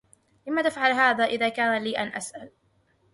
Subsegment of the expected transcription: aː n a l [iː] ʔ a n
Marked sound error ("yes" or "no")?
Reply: no